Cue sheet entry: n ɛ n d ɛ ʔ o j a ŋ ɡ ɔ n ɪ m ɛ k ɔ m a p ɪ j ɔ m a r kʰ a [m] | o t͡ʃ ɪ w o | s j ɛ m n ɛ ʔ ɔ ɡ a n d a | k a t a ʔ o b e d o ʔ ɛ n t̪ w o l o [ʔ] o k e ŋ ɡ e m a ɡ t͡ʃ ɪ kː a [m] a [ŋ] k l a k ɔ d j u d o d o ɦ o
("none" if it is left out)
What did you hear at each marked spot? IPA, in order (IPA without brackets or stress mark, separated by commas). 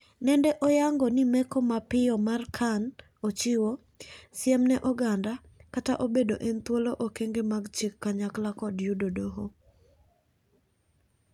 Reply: n, ʔ, ɲ, none